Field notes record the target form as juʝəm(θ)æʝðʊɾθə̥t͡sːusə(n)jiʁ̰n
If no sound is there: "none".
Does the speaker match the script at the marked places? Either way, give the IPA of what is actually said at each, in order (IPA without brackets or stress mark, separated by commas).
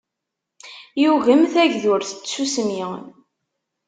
θ, m